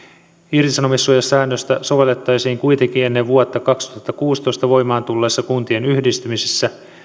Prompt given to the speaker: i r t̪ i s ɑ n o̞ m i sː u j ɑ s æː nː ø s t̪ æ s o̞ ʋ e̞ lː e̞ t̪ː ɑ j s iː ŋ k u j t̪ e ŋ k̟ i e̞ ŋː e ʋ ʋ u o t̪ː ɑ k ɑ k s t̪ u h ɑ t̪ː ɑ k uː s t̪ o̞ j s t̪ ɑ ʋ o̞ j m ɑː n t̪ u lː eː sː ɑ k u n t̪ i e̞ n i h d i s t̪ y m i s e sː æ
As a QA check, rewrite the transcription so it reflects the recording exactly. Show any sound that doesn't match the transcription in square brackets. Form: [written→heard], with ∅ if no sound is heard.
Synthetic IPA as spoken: i r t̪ i s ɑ n o̞ m i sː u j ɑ s æː nː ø s t̪ æ s o̞ ʋ e̞ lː e̞ t̪ː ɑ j s iː ŋ k u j t̪ e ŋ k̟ i e̞ [ŋː→nː] e ʋ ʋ u o t̪ː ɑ k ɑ k s t̪ u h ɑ t̪ː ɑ k uː s t̪ o̞ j s t̪ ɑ ʋ o̞ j m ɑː n t̪ u lː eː sː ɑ k u n t̪ i e̞ n [i→y] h d i s t̪ y m i s e sː æ